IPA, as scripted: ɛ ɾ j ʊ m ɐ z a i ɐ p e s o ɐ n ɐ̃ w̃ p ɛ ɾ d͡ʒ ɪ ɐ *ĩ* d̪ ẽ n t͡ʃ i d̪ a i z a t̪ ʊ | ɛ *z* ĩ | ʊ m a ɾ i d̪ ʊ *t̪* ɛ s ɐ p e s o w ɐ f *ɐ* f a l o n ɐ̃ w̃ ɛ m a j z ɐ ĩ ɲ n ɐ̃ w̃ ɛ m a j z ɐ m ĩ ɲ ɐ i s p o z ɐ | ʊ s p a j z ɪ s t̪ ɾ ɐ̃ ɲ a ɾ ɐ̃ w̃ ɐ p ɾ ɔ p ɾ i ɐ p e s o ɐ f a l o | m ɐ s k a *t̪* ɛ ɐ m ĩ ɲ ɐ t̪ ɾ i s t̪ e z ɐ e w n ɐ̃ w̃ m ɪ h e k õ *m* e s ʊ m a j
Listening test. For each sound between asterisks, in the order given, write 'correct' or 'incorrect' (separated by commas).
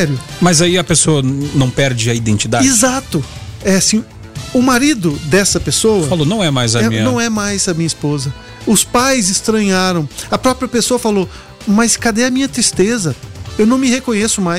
incorrect, incorrect, incorrect, correct, incorrect, incorrect